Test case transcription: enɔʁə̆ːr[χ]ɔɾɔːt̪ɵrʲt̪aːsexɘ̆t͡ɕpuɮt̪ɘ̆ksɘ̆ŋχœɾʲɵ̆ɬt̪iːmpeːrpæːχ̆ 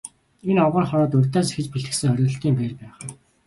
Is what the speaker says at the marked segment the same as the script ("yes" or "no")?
yes